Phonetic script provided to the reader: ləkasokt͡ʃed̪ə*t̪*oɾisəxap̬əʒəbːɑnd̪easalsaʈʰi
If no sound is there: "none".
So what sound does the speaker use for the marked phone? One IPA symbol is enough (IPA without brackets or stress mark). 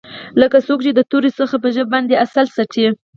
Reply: t̪